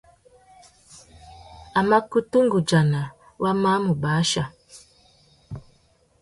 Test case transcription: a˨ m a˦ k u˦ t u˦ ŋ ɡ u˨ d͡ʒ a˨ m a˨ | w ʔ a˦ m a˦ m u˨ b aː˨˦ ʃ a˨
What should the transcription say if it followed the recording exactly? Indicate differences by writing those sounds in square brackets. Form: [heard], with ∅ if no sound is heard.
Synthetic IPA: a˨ m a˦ k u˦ t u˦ ŋ ɡ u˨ d͡ʒ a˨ [n] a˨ | w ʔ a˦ m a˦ m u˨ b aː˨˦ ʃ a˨